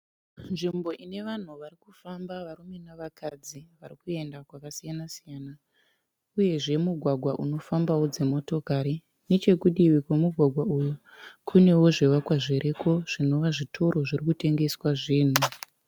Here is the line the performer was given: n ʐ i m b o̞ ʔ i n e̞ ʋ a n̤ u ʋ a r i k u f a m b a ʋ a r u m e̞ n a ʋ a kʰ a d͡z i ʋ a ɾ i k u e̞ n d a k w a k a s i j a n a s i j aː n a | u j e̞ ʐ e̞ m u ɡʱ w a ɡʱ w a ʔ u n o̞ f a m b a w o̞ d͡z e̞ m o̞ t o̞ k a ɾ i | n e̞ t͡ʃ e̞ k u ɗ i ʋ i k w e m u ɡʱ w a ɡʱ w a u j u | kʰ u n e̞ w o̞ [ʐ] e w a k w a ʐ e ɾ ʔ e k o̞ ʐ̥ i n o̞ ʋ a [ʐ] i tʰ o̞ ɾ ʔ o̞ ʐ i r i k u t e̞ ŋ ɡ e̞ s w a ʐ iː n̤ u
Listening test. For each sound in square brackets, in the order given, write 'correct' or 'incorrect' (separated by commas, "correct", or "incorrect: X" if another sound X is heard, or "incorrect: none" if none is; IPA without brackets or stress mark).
correct, correct